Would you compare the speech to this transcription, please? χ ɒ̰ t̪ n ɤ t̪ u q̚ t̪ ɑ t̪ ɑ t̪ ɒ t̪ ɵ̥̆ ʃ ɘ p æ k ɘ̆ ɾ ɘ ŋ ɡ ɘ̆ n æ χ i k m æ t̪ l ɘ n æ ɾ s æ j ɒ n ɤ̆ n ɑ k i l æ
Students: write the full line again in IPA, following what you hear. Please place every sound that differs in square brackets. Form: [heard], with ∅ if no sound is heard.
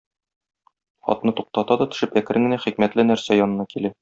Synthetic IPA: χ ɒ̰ t̪ n ɤ t̪ u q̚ t̪ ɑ t̪ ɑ [d̪] ɒ t̪ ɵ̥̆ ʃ ɘ p æ k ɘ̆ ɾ ɘ ŋ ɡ ɘ̆ n æ χ i k m æ t̪ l ɘ n æ ɾ s æ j ɒ n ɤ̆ n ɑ k i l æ